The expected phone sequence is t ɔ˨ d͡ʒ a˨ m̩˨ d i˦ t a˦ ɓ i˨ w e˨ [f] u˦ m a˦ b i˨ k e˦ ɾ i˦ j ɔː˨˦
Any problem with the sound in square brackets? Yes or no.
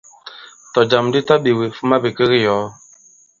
no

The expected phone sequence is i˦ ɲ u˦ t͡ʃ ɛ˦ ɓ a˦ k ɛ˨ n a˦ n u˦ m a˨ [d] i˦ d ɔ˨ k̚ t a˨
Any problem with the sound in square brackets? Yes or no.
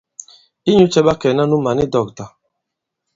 yes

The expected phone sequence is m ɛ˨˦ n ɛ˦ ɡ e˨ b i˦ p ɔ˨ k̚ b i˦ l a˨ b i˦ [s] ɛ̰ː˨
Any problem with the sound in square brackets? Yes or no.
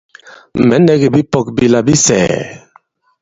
no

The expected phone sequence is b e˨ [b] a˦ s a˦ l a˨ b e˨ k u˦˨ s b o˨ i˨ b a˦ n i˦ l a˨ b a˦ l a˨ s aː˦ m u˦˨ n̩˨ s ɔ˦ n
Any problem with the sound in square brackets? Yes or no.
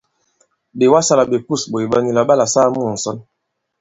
yes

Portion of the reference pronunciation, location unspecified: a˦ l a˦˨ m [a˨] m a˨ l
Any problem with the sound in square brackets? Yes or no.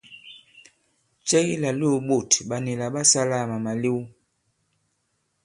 no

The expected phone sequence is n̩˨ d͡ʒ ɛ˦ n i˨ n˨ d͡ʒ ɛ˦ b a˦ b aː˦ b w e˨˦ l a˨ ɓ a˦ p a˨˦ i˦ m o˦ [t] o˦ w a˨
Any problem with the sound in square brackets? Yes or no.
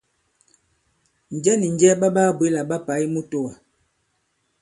no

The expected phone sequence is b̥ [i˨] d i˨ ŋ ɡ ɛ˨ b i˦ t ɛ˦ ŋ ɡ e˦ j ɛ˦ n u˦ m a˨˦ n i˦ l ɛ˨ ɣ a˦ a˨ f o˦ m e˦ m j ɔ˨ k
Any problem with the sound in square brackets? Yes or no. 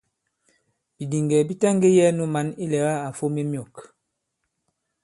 no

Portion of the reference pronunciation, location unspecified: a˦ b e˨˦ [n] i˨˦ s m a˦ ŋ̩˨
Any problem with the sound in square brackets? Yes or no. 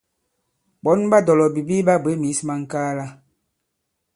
yes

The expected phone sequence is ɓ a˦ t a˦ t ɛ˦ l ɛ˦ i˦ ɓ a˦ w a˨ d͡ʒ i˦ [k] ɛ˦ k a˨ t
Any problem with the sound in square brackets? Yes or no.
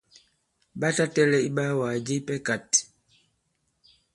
yes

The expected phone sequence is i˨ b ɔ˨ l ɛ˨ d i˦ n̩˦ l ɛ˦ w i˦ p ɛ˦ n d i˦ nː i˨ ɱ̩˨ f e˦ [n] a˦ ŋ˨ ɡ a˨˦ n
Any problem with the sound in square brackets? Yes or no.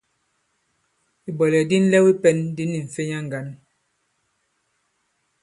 yes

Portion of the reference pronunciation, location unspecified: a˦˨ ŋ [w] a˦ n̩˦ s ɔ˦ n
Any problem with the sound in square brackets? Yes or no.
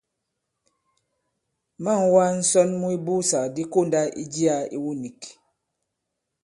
no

